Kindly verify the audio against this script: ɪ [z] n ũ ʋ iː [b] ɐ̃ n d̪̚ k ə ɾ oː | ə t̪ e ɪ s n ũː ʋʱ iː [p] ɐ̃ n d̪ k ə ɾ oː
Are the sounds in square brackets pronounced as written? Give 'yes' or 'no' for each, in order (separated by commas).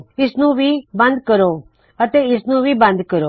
no, yes, no